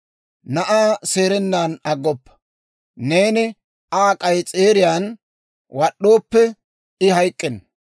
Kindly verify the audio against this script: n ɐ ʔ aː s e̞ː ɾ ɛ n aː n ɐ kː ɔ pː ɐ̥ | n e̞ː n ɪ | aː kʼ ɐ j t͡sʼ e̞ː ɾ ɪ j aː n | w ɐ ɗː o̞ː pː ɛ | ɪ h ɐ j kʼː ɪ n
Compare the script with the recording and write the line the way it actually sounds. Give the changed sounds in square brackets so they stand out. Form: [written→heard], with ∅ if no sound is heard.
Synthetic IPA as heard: n ɐ ʔ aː s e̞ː ɾ ɛ [n→nː] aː n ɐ [kː→ɡː] ɔ pː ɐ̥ | n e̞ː n ɪ | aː kʼ ɐ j t͡sʼ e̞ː ɾ ɪ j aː n | w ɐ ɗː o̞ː pː ɛ | ɪ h ɐ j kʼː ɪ n